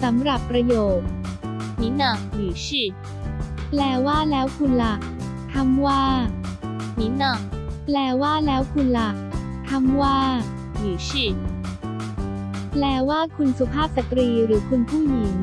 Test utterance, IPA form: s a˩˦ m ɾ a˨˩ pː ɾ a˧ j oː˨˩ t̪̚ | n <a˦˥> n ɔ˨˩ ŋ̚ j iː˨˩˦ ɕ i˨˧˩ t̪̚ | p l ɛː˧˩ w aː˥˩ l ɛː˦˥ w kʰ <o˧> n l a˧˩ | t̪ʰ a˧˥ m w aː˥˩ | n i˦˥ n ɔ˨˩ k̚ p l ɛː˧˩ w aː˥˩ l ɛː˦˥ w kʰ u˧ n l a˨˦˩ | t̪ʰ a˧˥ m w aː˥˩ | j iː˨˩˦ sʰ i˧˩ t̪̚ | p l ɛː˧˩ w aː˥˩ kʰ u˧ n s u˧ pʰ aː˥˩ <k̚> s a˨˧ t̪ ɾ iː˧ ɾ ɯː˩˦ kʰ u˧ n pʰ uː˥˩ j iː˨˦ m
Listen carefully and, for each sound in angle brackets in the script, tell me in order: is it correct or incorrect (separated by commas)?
incorrect, incorrect, incorrect